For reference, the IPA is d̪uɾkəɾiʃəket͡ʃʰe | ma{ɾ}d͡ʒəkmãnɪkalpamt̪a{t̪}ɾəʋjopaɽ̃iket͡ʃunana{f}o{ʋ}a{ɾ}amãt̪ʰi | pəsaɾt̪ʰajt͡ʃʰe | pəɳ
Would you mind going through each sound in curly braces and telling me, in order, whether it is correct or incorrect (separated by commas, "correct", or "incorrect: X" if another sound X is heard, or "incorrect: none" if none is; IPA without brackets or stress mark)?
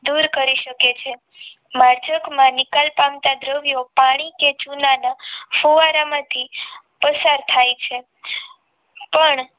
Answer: correct, incorrect: d̪, correct, correct, correct